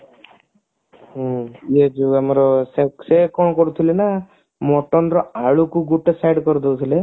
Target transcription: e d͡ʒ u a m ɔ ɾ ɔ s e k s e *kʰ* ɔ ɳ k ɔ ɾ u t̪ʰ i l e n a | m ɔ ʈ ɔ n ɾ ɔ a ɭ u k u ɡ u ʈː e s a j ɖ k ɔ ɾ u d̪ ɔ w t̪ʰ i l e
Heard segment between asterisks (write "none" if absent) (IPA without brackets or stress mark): k